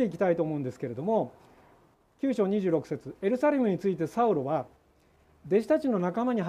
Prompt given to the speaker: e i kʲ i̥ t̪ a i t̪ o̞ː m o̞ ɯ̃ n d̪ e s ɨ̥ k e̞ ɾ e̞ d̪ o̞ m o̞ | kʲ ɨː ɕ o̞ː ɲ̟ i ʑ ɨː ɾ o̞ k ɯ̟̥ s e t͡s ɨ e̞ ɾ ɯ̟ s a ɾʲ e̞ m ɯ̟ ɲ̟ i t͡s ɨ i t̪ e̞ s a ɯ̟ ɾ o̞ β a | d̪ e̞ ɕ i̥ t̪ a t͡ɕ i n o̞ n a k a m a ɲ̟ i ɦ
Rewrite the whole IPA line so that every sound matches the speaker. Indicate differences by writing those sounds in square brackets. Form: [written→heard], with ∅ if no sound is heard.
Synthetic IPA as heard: e i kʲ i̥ t̪ a i t̪ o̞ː m o̞ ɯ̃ n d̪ e s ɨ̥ k e̞ ɾ e̞ d̪ o̞ m o̞ | kʲ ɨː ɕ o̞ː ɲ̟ i ʑ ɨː ɾ o̞ k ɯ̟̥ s e t͡s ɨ e̞ ɾ ɯ̟ s a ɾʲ e̞ m ɯ̟ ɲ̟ i t͡s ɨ i t̪ e̞ s a ɯ̟ ɾ o̞ β a | d̪ e̞ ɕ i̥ t̪ a t͡ɕ i n o̞ n a k a m a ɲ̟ i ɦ